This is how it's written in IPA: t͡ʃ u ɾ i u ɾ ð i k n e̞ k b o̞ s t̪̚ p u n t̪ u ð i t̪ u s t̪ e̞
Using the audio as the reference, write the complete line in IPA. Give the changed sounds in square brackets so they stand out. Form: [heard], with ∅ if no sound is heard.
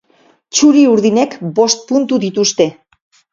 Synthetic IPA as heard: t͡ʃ u ɾ i u ɾ ð i [∅] n e̞ k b o̞ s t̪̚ p u n t̪ u ð i t̪ u s t̪ e̞